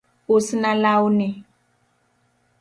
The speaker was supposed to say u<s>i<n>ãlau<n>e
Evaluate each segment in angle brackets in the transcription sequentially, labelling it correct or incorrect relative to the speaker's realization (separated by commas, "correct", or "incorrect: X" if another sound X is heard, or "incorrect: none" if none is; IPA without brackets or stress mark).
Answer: correct, correct, correct